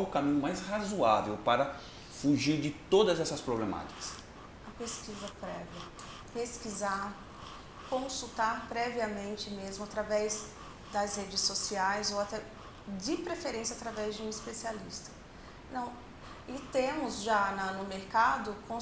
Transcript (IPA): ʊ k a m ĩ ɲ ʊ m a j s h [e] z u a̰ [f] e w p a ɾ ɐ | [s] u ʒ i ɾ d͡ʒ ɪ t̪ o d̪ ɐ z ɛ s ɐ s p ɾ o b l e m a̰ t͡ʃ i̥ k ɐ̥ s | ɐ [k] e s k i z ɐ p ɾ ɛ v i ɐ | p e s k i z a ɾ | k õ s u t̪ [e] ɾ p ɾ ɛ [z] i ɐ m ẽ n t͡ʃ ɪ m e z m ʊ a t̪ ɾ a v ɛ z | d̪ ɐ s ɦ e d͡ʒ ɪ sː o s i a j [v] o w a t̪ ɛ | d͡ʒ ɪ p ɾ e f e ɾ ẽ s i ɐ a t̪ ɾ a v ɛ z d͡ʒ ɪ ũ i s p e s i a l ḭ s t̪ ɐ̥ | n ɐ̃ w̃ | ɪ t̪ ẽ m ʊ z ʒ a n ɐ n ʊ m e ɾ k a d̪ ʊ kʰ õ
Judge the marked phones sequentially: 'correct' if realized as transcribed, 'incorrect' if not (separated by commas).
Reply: incorrect, incorrect, incorrect, incorrect, incorrect, incorrect, incorrect